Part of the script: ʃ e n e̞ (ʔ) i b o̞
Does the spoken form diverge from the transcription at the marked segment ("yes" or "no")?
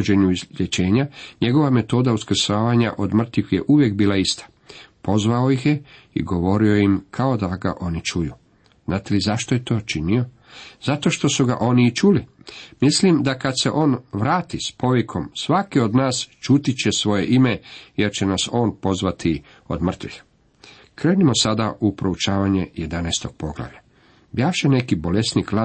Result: yes